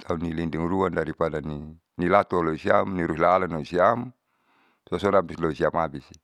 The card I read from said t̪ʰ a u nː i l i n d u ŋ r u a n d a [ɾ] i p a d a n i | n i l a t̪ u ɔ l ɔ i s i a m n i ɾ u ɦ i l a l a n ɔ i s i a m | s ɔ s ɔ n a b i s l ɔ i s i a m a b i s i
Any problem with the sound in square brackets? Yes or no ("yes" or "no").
no